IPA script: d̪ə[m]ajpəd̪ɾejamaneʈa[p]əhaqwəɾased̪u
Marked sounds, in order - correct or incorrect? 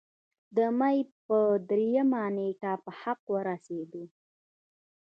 correct, correct

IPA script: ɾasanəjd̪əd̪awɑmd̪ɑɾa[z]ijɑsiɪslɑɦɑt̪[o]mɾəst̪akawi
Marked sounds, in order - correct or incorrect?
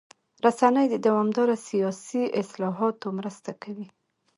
incorrect: s, correct

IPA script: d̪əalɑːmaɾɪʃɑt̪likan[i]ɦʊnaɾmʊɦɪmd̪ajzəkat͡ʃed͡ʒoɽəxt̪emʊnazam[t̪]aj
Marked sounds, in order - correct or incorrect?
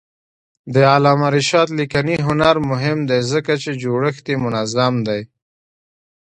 correct, incorrect: d̪

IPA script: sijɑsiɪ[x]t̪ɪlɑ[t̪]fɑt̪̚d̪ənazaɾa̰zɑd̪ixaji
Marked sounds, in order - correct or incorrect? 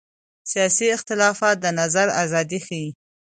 correct, incorrect: none

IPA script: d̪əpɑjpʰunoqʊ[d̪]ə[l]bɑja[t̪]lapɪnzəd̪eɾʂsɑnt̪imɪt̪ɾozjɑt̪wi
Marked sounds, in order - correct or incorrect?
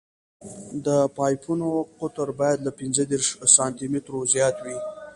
incorrect: t̪, incorrect: ɾ, incorrect: d̪

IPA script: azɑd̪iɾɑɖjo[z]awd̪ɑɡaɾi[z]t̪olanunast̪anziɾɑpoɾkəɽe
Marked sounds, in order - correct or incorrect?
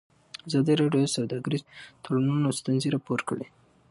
incorrect: s, correct

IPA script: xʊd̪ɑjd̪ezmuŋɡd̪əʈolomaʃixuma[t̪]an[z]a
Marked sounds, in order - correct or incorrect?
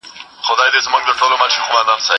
incorrect: d̪, incorrect: s

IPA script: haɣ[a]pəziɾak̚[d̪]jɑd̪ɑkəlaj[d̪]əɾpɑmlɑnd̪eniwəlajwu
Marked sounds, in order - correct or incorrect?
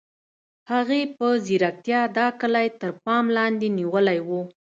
incorrect: e, incorrect: t̪, incorrect: t̪

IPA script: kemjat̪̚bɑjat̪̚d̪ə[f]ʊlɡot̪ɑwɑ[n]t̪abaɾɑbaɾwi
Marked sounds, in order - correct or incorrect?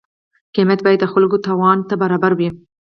incorrect: x, correct

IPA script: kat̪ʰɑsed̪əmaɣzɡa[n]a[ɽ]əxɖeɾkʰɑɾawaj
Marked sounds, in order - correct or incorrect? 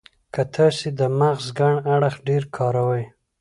incorrect: ɳ, correct

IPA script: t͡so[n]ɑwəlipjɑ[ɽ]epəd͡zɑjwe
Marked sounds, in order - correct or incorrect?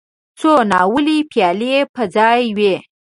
correct, incorrect: l

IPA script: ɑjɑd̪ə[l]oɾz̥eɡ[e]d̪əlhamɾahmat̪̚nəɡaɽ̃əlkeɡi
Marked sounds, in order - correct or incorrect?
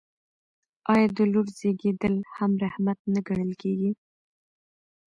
correct, correct

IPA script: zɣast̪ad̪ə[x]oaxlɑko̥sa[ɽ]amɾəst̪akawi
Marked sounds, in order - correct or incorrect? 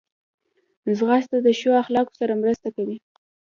incorrect: ʃ, incorrect: ɾ

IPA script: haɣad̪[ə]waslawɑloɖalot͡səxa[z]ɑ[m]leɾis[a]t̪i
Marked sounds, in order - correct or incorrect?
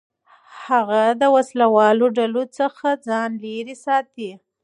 correct, incorrect: d͡z, incorrect: n, incorrect: ɑ

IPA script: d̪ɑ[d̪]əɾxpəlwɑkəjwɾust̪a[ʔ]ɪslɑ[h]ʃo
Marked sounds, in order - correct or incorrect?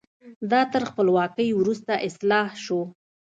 incorrect: t̪, correct, correct

